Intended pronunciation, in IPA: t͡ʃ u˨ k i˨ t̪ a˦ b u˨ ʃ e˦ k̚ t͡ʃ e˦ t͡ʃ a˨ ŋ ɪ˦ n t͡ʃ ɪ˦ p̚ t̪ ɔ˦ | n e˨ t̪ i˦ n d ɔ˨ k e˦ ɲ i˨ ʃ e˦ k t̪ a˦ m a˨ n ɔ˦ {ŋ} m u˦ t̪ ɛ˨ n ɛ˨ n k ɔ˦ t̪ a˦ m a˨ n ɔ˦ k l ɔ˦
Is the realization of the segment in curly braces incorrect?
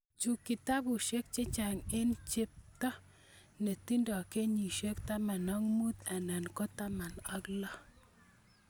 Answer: no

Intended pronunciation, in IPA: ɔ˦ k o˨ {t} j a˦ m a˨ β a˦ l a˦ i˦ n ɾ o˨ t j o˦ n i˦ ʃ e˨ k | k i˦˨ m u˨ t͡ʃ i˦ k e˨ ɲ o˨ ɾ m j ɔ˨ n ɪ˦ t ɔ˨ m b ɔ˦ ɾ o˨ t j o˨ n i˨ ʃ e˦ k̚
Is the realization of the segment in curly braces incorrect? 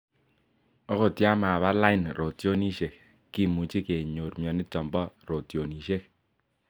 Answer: no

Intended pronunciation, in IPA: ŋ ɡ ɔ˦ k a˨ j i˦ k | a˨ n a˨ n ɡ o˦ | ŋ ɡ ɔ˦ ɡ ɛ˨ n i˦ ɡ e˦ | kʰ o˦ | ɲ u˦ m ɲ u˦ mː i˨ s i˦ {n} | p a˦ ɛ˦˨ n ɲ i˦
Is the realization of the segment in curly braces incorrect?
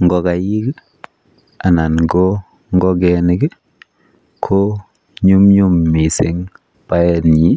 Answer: yes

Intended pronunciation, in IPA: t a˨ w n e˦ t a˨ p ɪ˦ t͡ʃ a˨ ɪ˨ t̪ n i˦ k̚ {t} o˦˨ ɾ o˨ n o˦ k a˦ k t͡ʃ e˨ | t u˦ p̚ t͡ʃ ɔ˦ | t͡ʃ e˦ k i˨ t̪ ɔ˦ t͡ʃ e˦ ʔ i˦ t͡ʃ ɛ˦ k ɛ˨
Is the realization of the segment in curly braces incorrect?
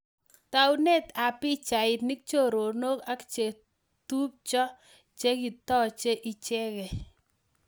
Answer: yes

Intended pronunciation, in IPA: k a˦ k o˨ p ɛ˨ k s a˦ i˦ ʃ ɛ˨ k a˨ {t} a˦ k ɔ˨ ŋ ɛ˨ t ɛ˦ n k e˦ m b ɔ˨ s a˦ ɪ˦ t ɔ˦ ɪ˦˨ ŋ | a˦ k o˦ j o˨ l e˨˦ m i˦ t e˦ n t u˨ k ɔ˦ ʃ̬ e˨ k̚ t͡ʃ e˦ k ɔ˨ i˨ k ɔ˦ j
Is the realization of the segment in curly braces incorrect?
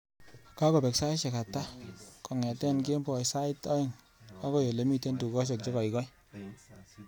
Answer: no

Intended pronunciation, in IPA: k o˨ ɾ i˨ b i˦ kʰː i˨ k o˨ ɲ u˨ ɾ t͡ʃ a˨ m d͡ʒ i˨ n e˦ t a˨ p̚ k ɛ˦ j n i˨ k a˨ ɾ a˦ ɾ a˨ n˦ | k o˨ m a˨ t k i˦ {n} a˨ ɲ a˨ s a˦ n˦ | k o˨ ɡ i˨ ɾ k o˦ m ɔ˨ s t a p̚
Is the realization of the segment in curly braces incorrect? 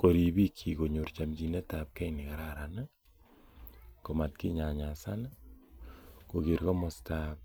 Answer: yes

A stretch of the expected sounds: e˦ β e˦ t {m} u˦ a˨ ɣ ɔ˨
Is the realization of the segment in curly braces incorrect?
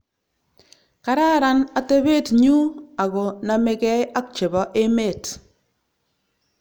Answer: yes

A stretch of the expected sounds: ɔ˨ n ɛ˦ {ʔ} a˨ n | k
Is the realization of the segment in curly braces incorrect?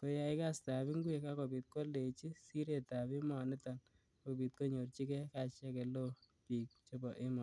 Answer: yes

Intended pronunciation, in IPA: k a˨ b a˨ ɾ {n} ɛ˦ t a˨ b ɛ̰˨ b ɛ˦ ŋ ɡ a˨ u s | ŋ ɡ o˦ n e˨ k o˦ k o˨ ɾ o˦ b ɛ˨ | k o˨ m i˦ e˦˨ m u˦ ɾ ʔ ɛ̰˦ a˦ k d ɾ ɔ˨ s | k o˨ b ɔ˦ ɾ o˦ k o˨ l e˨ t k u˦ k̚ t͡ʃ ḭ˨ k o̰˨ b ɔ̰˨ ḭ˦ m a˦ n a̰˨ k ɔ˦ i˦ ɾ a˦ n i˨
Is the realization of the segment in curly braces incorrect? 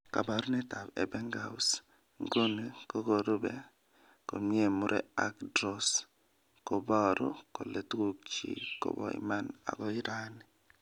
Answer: no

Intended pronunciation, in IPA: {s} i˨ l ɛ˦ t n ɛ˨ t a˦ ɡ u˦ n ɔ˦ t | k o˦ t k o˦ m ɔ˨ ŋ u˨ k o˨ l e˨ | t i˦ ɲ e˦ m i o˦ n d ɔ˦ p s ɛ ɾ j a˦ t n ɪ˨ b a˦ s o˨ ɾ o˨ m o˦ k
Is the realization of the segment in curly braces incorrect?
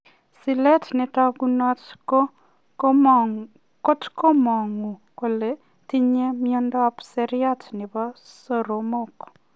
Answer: no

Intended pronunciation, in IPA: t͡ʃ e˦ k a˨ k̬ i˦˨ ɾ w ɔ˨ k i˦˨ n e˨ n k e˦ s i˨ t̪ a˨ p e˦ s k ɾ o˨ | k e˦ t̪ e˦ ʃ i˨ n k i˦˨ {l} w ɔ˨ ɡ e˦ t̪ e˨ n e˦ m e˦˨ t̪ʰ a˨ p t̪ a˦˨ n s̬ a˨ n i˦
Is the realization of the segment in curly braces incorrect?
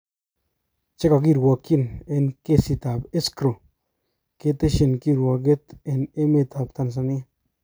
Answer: yes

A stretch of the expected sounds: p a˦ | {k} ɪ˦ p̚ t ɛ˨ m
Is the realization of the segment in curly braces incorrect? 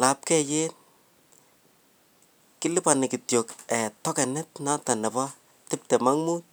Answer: yes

